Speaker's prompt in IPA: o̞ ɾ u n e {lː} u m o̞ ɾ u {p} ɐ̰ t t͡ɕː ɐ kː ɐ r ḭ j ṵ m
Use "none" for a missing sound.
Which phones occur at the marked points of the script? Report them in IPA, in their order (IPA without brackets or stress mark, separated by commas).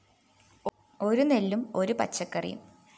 lː, p